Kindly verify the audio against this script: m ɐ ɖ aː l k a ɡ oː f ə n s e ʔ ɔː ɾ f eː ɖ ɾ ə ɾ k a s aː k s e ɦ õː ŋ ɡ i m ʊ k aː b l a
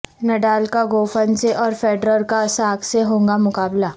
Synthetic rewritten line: n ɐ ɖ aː l k a ɡ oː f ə n s e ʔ ɔː ɾ f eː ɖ ɾ ə ɾ k a s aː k s e ɦ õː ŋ ɡ a m ʊ k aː b l a